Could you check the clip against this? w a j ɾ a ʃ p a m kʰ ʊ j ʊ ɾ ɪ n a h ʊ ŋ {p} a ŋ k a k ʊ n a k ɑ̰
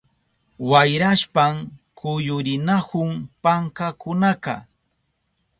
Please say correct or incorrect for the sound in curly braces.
correct